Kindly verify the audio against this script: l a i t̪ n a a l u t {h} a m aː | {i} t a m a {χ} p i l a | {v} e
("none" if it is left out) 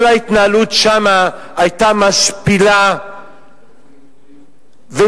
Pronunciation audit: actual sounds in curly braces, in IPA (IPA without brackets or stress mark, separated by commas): ʃ, j, ʃ, v